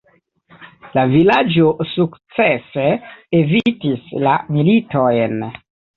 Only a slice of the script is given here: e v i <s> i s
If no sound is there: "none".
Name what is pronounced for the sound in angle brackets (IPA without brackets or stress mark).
t